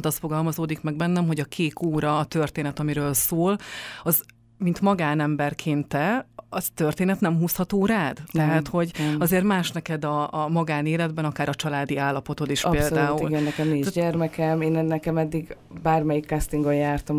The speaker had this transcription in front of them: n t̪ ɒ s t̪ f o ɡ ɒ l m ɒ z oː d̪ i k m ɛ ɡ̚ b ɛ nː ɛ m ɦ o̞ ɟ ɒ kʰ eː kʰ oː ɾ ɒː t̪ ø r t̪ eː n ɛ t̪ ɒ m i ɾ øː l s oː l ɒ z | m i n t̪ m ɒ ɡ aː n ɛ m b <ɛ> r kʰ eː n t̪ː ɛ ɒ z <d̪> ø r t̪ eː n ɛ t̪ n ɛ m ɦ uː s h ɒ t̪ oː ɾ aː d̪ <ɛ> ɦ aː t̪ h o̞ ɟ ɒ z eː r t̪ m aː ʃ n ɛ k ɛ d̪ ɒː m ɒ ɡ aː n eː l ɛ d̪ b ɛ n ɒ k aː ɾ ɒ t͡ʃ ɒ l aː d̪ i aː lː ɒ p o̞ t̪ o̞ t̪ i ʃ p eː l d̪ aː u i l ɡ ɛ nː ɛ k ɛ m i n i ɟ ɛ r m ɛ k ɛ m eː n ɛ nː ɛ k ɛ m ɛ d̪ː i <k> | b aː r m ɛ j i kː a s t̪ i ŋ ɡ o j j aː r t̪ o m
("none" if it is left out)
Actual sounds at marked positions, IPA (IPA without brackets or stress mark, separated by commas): ɛ, t̪, ɛ, ɡ